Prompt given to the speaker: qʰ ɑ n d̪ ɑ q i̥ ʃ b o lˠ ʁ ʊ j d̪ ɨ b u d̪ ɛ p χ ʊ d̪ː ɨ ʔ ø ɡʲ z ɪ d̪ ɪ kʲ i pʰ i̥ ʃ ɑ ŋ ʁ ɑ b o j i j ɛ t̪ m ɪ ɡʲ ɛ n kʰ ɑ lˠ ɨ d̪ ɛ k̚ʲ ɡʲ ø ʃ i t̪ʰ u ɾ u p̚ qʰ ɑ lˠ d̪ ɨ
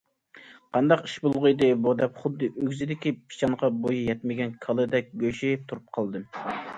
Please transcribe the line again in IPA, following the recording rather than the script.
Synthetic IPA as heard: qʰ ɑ n d̪ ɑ q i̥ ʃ b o lˠ ʁ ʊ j d̪ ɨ b u d̪ ɛ p χ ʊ d̪ː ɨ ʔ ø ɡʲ z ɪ d̪ ɪ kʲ i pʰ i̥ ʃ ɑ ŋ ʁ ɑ b o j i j ɛ t̪ m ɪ ɡʲ ɛ n kʰ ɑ lˠ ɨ d̪ ɛ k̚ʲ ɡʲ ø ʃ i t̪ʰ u ɾ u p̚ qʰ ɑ lˠ d̪ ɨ

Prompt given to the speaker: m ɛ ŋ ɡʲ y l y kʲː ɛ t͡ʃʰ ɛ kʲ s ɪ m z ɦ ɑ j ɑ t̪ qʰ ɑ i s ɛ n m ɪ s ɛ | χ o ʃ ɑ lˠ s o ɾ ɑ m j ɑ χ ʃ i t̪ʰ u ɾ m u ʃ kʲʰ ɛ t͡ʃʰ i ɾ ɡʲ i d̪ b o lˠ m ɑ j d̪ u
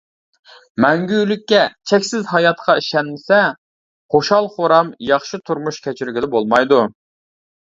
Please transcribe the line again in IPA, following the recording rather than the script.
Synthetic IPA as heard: m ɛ ŋ ɡʲ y l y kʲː ɛ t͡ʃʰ ɛ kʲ s ɪ z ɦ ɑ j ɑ t̪ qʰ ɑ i ʃ ɛ n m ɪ s ɛ | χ o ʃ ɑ lˠ χ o ɾ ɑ m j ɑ χ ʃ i t̪ʰ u ɾ m u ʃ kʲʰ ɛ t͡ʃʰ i ɾ ɡʲ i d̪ b o lˠ m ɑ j d̪ u

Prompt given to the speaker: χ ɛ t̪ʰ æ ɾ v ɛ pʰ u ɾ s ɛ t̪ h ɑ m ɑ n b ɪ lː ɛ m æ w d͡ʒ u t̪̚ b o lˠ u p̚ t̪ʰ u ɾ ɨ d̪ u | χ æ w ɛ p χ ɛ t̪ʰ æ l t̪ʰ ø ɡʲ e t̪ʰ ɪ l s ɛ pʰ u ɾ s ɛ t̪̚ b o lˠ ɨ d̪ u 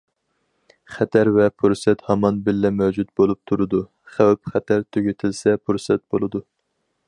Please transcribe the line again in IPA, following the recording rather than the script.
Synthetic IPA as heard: χ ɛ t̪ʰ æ ɾ v ɛ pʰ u ɾ s ɛ t̪ h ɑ m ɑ n b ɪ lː ɛ m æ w d͡ʒ u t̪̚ b o lˠ u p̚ t̪ʰ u ɾ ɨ d̪ u | χ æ w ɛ p χ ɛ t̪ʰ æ ɾ t̪ʰ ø ɡʲ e t̪ʰ ɪ l s ɛ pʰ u ɾ s ɛ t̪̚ b o lˠ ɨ d̪ u

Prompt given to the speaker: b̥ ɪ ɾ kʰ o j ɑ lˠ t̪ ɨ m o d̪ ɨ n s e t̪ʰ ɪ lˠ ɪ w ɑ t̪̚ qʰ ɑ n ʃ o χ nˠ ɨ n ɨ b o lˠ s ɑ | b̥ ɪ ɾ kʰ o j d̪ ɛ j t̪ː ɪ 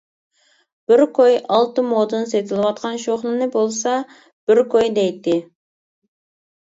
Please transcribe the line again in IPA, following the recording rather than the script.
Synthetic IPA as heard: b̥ ɪ ɾ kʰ o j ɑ lˠ t̪ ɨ m o d̪ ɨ n s e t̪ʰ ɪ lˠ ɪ w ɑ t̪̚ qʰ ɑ n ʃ o χ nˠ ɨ n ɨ b o lˠ s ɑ | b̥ ɪ ɾ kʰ o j d̪ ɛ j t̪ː ɪ

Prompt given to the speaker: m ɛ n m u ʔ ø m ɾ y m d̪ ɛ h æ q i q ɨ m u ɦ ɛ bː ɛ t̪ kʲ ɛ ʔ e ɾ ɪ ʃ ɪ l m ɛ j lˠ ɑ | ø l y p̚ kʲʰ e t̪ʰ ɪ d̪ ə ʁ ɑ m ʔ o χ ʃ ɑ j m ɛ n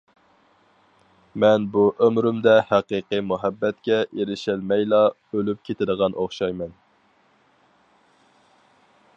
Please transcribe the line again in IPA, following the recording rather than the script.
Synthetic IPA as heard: m ɛ n b u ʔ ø m ɾ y m d̪ ɛ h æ q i q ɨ m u ɦ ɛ bː ɛ t̪ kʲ ɛ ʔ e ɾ ɪ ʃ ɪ l m ɛ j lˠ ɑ | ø l y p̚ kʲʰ e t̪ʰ ɪ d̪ ə ʁ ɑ n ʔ o χ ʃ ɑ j m ɛ n

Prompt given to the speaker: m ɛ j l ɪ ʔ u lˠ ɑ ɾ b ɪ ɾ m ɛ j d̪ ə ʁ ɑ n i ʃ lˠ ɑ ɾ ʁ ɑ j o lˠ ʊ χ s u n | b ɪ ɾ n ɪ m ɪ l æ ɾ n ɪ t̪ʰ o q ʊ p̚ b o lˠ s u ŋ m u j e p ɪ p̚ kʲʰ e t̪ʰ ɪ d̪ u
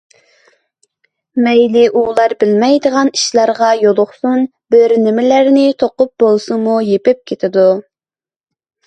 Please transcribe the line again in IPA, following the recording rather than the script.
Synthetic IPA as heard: m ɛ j l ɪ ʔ u lˠ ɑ ɾ b ɪ l m ɛ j d̪ ə ʁ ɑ n i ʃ lˠ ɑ ɾ ʁ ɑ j o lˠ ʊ χ s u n | b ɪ ɾ n ɪ m ɪ l æ ɾ n ɪ t̪ʰ o q ʊ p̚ b o lˠ s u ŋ m u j e p ɪ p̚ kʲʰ e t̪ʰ ɪ d̪ u

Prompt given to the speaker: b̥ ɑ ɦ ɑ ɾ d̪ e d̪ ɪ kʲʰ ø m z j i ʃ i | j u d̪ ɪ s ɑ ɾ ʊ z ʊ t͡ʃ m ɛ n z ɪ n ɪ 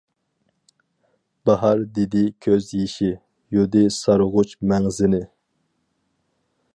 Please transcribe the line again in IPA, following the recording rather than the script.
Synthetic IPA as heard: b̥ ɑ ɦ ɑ ɾ d̪ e d̪ ɪ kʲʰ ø z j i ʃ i | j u d̪ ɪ s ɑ ɾ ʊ ʁ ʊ t͡ʃ m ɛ ŋ z ɪ n ɪ

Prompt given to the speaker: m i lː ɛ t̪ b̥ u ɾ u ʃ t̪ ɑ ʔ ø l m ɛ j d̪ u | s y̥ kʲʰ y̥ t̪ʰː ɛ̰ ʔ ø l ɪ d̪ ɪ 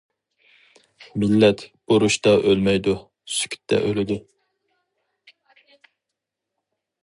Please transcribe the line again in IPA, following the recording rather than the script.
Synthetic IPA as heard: m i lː ɛ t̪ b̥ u ɾ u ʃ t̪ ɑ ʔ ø l m ɛ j d̪ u | s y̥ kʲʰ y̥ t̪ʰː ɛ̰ ʔ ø l ɪ d̪ ɪ

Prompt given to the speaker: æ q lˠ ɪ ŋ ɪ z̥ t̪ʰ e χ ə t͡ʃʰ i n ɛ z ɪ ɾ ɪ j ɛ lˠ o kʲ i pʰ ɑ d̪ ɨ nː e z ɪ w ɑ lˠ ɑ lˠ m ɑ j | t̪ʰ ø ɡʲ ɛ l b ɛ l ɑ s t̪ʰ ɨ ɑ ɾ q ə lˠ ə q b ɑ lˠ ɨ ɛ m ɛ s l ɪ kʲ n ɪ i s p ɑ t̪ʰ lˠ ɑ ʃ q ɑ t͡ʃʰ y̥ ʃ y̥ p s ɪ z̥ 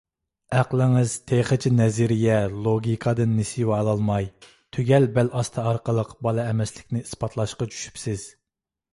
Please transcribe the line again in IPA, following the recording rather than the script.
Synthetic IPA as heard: æ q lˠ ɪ ŋ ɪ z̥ t̪ʰ e χ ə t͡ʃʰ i n ɛ z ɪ ɾ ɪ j ɛ lˠ o ɡʲ i kʰ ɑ d̪ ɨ nː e s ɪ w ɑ lˠ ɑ lˠ m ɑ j | t̪ʰ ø ɡʲ ɛ l b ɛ l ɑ s t̪ʰ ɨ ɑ ɾ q ə lˠ ə q b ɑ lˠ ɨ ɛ m ɛ s l ɪ kʲ n ɪ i s p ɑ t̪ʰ lˠ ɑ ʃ q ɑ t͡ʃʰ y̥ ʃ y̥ p s ɪ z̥

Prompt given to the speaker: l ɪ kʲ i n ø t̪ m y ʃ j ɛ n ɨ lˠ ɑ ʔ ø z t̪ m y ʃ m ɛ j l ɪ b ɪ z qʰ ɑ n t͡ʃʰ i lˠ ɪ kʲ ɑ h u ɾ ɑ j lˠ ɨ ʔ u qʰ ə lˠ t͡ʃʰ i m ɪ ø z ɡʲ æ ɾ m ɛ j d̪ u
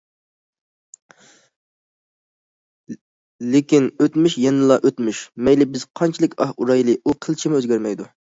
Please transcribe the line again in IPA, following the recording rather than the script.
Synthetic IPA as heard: l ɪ kʲ i n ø t̪ m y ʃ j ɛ n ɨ lˠ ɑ ʔ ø t̪ m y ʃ m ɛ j l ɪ b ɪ z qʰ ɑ n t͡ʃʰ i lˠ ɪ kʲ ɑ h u ɾ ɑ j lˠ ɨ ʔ u qʰ ə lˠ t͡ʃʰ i m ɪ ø z ɡʲ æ ɾ m ɛ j d̪ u

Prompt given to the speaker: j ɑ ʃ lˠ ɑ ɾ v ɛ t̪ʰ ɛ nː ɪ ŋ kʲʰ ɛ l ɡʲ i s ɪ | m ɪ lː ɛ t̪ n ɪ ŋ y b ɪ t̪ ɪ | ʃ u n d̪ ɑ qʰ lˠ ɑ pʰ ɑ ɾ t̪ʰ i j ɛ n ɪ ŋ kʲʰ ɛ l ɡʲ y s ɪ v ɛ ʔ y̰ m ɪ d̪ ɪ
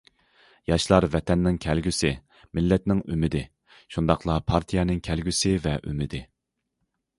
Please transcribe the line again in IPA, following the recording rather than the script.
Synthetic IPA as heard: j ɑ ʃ lˠ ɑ ɾ v ɛ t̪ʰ ɛ nː ɪ ŋ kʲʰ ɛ l ɡʲ y s ɪ | m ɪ lː ɛ t̪ n ɪ ŋ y m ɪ d̪ ɪ | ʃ u n d̪ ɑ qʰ lˠ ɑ pʰ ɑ ɾ t̪ʰ i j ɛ n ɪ ŋ kʲʰ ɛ l ɡʲ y s ɪ v ɛ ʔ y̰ m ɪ d̪ ɪ

